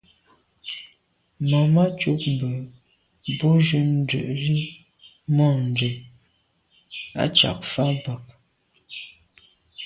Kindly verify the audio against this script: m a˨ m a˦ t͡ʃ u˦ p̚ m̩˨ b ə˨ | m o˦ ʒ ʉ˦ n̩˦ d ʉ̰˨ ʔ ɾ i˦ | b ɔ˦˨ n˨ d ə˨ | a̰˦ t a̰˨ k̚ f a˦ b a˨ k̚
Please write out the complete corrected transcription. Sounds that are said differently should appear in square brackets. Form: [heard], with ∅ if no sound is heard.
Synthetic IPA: m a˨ m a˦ t͡ʃ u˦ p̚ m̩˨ b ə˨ | [b] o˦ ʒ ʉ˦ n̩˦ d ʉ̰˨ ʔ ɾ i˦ | [m] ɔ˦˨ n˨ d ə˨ | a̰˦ [t͡ʃ] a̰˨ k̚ f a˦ b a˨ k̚